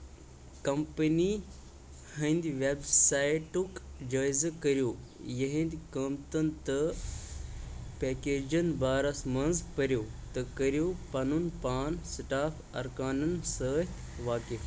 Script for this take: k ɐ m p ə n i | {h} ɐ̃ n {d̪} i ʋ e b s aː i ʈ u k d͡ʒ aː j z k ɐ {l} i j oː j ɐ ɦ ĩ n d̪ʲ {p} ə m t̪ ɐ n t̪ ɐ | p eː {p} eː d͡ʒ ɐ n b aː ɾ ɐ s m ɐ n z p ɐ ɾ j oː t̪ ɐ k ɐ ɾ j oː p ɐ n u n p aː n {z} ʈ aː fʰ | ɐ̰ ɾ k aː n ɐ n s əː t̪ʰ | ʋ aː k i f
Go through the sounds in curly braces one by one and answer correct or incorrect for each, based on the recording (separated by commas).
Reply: correct, correct, incorrect, incorrect, incorrect, incorrect